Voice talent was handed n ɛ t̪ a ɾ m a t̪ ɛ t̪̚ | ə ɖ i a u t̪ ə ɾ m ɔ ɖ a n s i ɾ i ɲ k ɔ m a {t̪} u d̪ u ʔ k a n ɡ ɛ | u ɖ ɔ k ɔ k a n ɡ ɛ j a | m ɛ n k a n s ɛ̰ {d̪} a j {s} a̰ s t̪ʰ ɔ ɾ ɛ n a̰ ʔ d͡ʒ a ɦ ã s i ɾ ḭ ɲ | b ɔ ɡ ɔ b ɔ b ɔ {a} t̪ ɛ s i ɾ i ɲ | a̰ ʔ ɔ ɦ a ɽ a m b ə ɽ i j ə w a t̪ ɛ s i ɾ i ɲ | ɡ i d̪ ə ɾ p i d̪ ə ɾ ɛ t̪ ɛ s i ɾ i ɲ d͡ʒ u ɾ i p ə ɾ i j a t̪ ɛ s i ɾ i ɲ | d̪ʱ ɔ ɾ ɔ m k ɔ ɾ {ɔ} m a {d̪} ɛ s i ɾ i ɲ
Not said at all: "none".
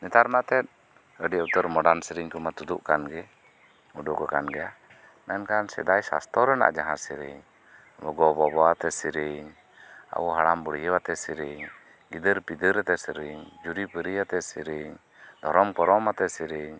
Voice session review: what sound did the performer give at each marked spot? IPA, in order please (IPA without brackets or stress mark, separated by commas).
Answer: t̪, d̪, s, a, ɔ, t̪